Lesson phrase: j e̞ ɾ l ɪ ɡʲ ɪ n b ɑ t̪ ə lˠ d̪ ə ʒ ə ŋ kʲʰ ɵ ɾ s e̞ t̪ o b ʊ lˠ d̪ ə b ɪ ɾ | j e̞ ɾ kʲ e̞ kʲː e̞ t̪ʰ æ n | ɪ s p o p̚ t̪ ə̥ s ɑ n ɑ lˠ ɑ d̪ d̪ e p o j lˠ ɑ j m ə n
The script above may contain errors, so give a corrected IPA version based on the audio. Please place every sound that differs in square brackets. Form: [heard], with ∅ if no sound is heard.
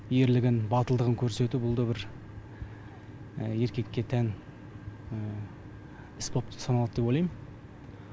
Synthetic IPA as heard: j e̞ ɾ l ɪ ɡʲ ɪ n b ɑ t̪ ə lˠ d̪ ə [ʁ] ə ŋ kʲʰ ɵ ɾ s e̞ t̪ [u] b ʊ lˠ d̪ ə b ɪ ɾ | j e̞ ɾ kʲ e̞ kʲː e̞ t̪ʰ æ n | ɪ s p o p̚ t̪ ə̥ s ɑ n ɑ lˠ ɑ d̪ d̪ e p o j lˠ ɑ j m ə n